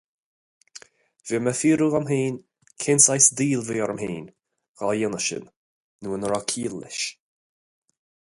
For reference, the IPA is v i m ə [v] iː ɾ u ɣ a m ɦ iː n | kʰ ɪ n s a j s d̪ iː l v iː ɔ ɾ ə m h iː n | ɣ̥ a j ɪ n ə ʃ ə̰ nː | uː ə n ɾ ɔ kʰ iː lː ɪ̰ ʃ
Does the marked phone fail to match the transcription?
yes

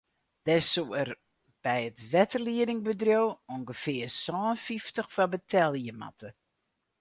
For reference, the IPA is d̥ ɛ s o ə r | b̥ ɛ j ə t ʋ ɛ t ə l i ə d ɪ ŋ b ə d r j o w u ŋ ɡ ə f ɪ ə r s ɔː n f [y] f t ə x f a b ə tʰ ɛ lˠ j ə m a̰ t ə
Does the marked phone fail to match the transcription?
yes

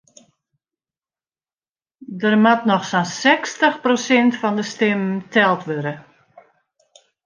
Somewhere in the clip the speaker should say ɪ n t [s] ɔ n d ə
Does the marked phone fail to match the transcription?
yes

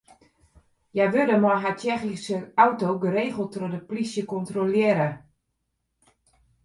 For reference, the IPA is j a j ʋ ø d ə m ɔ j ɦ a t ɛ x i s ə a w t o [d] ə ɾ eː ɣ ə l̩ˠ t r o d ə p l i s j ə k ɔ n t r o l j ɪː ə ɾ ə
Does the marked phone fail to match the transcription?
yes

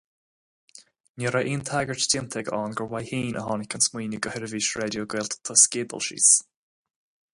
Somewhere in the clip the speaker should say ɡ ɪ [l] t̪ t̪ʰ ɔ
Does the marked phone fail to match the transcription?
no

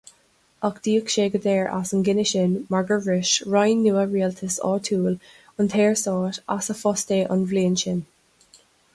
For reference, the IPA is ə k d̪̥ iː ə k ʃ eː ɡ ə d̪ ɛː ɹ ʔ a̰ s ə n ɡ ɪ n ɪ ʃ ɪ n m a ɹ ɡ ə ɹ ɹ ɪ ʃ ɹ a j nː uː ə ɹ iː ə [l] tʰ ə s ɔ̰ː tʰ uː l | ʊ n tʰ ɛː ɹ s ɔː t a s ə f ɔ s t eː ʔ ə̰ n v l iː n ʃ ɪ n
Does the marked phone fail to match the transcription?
no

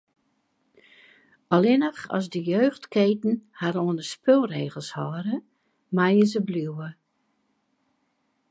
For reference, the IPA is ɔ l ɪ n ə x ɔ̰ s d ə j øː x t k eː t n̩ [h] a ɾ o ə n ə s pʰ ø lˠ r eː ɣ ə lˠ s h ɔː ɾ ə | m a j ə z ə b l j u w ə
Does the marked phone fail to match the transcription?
no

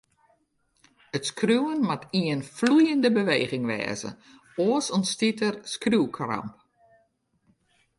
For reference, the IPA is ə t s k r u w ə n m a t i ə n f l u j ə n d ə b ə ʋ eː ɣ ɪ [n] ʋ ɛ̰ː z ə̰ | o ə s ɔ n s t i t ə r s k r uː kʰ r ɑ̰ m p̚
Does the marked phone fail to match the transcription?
yes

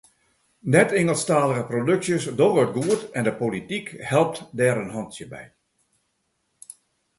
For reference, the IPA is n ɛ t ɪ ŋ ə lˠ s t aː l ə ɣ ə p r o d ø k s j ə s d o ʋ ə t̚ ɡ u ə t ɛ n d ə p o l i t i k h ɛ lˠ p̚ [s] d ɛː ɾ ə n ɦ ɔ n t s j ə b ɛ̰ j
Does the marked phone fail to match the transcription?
yes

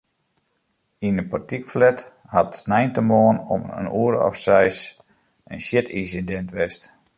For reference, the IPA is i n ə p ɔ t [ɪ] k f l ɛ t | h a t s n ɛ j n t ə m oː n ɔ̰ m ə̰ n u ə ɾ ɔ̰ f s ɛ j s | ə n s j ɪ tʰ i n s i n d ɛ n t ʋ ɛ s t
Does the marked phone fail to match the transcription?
yes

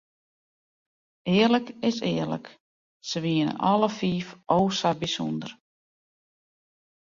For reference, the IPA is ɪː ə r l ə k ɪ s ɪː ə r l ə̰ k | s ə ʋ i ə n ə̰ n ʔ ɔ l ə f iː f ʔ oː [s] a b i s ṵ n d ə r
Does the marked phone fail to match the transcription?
no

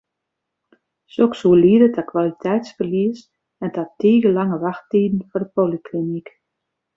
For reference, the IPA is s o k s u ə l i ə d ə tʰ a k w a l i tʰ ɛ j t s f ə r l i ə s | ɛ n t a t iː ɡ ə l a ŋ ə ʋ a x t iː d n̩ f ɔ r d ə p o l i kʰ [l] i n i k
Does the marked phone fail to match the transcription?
no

